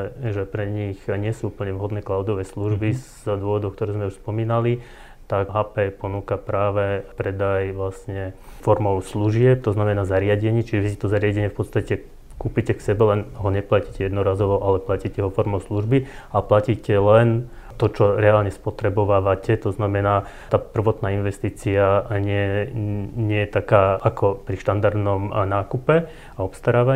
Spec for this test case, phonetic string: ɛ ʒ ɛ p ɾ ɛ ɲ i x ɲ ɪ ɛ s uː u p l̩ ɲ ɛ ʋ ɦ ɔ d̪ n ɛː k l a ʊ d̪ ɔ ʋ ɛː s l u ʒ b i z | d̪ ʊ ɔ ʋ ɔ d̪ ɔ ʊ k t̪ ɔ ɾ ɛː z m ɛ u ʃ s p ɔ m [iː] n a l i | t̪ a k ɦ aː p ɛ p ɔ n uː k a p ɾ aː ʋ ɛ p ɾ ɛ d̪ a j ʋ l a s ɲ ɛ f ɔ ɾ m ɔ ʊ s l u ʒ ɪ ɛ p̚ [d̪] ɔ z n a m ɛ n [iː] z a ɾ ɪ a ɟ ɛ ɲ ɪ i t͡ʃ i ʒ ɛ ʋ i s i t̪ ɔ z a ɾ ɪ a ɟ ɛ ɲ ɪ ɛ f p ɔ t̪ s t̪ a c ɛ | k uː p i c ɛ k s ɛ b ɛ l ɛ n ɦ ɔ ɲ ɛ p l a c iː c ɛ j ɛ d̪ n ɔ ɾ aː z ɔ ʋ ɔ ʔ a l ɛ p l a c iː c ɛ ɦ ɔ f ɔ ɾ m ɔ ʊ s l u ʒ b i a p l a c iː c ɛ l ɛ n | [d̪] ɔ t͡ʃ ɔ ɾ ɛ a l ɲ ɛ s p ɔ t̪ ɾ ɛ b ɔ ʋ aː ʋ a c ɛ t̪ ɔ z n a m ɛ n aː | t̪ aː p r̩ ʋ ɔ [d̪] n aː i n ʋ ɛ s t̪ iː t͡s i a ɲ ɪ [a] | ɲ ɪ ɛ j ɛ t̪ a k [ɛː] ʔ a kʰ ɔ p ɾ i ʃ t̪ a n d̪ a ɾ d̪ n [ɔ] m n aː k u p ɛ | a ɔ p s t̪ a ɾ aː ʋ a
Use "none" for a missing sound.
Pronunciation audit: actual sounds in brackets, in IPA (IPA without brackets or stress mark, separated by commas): iː, t̪, aː, t̪, t̪, ɛ, aː, ɔ